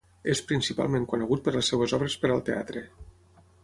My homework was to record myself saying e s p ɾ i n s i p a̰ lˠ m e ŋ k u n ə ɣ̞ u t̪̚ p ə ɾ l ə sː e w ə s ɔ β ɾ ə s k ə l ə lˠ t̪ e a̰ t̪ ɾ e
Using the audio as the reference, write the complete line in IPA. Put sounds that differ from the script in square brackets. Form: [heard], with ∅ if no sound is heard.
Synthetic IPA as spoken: e s p ɾ i n s i p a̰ lˠ m e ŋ k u n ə ɣ̞ u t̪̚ p ə ɾ l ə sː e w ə [z] ɔ β ɾ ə s [p] ə [ɾ] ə lˠ t̪ e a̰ t̪ ɾ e